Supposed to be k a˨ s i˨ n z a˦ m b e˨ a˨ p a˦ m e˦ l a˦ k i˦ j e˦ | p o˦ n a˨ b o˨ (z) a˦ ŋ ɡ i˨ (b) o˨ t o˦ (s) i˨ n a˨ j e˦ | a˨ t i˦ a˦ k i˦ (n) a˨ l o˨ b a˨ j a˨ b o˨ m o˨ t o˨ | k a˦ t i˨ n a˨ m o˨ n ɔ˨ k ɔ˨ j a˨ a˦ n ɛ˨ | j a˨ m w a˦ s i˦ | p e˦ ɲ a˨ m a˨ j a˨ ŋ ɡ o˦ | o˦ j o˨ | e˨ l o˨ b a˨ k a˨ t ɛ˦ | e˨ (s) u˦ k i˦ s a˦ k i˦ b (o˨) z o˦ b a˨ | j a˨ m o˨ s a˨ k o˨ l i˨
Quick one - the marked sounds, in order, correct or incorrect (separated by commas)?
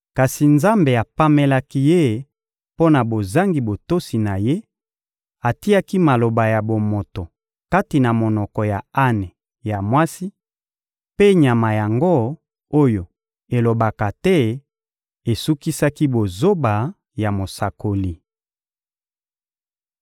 correct, correct, correct, incorrect, correct, correct